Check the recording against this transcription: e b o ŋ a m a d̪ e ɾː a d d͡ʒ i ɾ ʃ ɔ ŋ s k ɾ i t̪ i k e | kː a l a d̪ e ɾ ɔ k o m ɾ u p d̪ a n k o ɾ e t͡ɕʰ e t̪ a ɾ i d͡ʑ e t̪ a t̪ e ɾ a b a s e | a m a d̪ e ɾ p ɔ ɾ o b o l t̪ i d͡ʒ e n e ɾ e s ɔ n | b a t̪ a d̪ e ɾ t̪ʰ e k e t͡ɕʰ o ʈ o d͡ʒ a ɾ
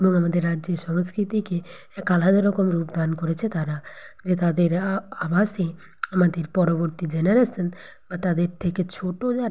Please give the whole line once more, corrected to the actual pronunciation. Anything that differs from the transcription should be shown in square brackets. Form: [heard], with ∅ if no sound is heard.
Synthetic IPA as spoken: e b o ŋ a m a d̪ e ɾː a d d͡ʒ [e] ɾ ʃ ɔ ŋ s k ɾ i t̪ i k e | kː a l a d̪ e ɾ ɔ k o m ɾ u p d̪ a n k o ɾ e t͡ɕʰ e t̪ a ɾ [a] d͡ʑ e t̪ a [d̪] e ɾ a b a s e | a m a d̪ e ɾ p ɔ ɾ o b o [ɾ] t̪ i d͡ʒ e n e ɾ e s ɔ n | b a t̪ a d̪ e ɾ t̪ʰ e k e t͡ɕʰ o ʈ o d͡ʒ a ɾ

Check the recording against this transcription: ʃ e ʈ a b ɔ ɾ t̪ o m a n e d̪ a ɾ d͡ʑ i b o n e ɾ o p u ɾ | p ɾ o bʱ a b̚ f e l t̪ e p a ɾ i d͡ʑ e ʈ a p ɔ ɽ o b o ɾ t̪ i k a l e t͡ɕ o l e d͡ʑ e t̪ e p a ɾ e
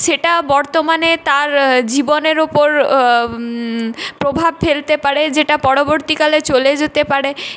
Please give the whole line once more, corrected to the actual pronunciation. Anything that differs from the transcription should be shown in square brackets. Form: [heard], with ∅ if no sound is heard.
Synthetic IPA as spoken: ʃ e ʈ a b ɔ ɾ t̪ o m a n e [t̪] a ɾ d͡ʑ i b o n e ɾ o p [o] ɾ | p ɾ o bʱ a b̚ f e l t̪ e p a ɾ [e] d͡ʑ e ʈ a p ɔ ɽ o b o ɾ t̪ i k a l e t͡ɕ o l e d͡ʑ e t̪ e p a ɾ e

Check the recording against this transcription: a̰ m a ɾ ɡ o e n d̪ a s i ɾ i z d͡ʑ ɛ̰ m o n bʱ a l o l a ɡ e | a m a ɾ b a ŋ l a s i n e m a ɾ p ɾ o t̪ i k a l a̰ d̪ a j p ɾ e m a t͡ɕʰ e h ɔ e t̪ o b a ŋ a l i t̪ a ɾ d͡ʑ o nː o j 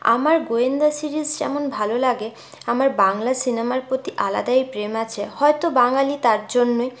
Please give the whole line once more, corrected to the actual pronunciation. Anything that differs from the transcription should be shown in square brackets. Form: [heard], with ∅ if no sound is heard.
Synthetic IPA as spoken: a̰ m a ɾ ɡ o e n d̪ a s i ɾ i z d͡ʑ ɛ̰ m o n bʱ a l o l a ɡ e | a m a ɾ b a ŋ l a s i n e m a ɾ p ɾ o t̪ i [ʔ] a l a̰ d̪ a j p ɾ e m a t͡ɕʰ e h ɔ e t̪ o b a ŋ a l i t̪ a ɾ d͡ʑ o nː o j

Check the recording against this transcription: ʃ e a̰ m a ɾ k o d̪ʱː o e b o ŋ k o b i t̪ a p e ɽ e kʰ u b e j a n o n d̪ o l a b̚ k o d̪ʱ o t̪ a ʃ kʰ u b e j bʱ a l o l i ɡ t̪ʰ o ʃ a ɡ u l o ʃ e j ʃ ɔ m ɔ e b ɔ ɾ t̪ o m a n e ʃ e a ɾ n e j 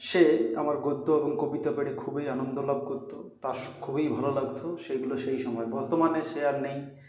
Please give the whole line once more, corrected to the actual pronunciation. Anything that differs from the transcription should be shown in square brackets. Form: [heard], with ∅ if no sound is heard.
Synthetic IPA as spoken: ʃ e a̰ m a ɾ [ɡ] o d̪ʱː o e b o ŋ k o b i t̪ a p e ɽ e kʰ u b e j a n o n d̪ o l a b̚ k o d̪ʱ o t̪ a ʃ kʰ u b e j bʱ a l o l [a] ɡ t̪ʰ o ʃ [e] ɡ u l o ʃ e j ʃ ɔ m ɔ e b ɔ ɾ t̪ o m a n e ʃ e a ɾ n e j

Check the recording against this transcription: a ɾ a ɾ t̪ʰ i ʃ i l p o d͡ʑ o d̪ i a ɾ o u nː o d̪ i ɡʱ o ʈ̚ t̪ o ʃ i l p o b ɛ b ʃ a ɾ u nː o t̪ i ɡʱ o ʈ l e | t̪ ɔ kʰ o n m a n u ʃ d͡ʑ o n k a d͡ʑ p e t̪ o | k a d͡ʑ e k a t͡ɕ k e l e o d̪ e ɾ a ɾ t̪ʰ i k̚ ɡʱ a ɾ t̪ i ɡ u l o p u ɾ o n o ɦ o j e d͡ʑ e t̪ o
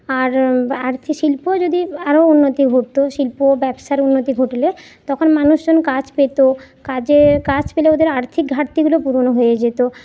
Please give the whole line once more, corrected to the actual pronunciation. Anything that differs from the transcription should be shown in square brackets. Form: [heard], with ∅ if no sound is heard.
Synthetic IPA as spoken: a ɾ a ɾ t̪ʰ i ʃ i l p o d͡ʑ o d̪ i a ɾ o u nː o [t̪] i ɡʱ o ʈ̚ t̪ o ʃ i l p o b ɛ b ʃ a ɾ u nː o t̪ i ɡʱ o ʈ l e | t̪ ɔ kʰ o n m a n u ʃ d͡ʑ o n k a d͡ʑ p e t̪ o | k a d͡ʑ e k a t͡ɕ [p] e l e o d̪ e ɾ a ɾ t̪ʰ i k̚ ɡʱ a ɾ t̪ i ɡ u l o p u ɾ o n o ɦ o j e d͡ʑ e t̪ o

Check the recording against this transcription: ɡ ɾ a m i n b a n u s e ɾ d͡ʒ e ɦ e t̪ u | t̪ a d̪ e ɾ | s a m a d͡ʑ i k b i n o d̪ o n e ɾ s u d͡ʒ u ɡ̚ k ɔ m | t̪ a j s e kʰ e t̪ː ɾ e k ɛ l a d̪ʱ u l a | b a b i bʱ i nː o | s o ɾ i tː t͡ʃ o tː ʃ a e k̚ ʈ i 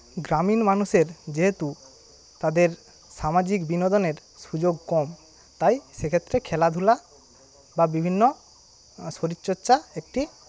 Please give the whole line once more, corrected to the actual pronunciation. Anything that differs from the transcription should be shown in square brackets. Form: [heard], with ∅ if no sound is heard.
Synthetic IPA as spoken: ɡ ɾ a m i n [m] a n u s e ɾ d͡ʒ e ɦ e t̪ u | t̪ a d̪ e ɾ | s a m a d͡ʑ i k b i n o d̪ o n e ɾ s u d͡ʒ [o] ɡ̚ k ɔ m | t̪ a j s e kʰ e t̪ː ɾ e [kʰ] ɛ l a d̪ʱ u l a | b a b i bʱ i nː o | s o ɾ i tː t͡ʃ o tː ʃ a e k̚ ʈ i

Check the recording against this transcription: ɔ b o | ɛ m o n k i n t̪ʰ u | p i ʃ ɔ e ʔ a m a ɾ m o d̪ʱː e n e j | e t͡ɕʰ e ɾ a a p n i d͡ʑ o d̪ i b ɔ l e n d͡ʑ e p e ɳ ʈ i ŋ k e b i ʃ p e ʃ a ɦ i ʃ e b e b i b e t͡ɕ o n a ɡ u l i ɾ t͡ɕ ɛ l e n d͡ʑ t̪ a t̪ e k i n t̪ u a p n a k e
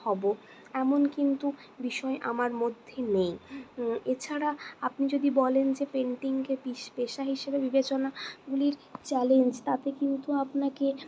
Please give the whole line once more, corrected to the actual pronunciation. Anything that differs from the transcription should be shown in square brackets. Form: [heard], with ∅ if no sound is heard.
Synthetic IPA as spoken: ɔ b o | ɛ m o n k i n [t̪] u | [b] i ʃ ɔ e ʔ a m a ɾ m o d̪ʱː e n e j | e t͡ɕʰ [a] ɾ a a p n i d͡ʑ o d̪ i b ɔ l e n d͡ʑ e p e ɳ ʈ i ŋ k e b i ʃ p e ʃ a ɦ i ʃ e b e b i b e t͡ɕ o n a ɡ u l i ɾ t͡ɕ ɛ l e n d͡ʑ t̪ a t̪ e k i n t̪ u a p n a k e

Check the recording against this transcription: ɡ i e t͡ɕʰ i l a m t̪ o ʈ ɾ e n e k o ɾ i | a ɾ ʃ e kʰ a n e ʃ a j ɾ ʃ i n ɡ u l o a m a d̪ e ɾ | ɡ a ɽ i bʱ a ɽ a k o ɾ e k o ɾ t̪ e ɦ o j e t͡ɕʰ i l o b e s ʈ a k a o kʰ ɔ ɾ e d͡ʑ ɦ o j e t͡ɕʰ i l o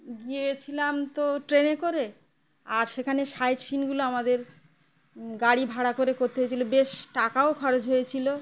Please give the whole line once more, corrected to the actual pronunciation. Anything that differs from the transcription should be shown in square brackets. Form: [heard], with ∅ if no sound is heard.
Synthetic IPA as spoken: ɡ i e t͡ɕʰ i l a m t̪ o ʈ ɾ e n e k o ɾ [e] | a ɾ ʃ e kʰ a n e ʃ a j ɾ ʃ i n ɡ u l o a m a d̪ e ɾ | ɡ a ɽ i bʱ a ɽ a k o ɾ e k o ɾ t̪ e ɦ o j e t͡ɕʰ i l o b e [ʃ] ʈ a k a o kʰ ɔ ɾ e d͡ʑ ɦ o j e t͡ɕʰ i l o

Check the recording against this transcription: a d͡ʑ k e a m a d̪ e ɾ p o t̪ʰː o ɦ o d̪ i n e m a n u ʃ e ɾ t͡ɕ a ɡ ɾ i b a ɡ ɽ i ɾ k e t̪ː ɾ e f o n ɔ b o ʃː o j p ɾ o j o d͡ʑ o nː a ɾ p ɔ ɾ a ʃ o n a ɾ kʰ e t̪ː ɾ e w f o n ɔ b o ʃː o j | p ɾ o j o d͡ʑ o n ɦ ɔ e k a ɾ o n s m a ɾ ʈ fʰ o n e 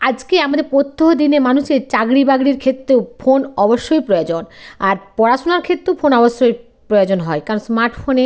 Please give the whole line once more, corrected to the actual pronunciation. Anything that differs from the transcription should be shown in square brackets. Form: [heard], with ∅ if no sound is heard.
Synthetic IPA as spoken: a d͡ʑ k e a m a d̪ e ɾ p o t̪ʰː o ɦ o d̪ i n e m a n u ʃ e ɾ t͡ɕ a ɡ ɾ i b a ɡ ɽ i ɾ [kʰ] e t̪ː ɾ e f o n ɔ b o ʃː o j p ɾ o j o d͡ʑ o [n] a ɾ p ɔ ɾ a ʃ o n a ɾ kʰ e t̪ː ɾ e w f o n ɔ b o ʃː o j | p ɾ o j o d͡ʑ o n ɦ ɔ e k a ɾ o n s m a ɾ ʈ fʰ o n e

